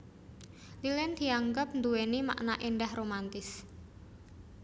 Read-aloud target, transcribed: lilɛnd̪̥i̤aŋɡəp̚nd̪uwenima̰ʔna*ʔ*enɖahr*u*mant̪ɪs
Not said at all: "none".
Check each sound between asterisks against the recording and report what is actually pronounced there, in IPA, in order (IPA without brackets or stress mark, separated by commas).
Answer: ʔ, o